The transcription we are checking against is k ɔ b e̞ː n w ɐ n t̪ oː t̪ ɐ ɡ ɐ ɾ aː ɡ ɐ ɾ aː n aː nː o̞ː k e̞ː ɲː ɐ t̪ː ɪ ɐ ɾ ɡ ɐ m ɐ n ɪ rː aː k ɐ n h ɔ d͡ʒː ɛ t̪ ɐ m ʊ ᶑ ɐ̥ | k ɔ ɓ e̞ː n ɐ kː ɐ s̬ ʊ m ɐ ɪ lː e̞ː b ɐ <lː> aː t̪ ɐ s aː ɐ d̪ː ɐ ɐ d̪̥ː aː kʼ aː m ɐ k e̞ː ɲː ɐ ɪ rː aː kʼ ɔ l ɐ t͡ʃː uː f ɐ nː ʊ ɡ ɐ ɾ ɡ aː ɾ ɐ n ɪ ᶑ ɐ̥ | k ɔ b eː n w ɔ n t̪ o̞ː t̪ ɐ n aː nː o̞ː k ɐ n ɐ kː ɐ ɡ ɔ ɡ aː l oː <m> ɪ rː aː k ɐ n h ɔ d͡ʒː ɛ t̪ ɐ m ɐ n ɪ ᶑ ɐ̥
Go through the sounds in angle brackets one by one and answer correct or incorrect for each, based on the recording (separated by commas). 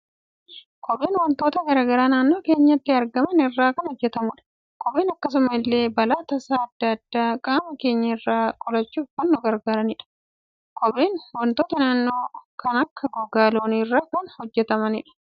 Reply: incorrect, incorrect